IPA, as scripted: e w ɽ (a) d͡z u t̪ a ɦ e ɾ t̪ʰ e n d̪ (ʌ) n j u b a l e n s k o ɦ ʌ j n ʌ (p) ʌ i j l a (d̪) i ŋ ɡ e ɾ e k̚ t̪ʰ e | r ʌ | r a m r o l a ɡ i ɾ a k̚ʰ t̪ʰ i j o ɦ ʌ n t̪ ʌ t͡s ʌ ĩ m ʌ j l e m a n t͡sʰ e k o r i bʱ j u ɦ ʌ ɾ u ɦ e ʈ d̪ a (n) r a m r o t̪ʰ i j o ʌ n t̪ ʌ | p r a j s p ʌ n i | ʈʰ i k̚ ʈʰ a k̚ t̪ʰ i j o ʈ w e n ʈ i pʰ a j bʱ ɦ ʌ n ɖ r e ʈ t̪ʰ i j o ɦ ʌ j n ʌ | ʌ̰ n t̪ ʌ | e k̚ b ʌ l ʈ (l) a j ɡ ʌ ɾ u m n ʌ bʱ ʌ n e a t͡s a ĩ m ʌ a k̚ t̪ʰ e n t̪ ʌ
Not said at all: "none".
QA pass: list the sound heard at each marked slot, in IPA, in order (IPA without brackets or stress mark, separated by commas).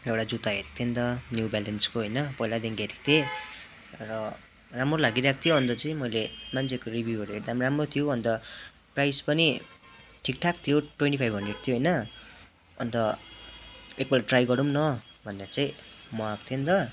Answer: a, ʌ, p, d̪, m, r